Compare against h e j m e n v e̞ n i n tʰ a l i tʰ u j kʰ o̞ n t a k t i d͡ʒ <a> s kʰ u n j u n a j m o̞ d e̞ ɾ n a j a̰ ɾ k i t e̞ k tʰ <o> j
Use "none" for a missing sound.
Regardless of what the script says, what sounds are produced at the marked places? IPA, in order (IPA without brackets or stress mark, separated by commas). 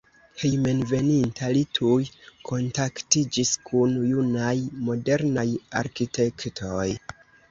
i, o